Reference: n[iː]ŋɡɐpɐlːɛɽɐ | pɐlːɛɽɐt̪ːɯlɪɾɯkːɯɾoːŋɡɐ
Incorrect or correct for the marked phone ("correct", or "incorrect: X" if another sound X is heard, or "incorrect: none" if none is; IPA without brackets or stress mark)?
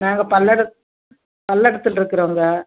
incorrect: aː